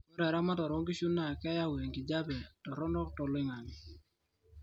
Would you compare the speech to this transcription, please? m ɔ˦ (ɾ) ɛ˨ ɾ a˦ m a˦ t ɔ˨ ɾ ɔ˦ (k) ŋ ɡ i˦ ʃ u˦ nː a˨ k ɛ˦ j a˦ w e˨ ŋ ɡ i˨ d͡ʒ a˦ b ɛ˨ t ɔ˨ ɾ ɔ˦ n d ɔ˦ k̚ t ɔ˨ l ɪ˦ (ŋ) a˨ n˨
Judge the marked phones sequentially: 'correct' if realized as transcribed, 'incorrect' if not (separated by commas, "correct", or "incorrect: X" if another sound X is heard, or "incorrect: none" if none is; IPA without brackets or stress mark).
correct, incorrect: none, correct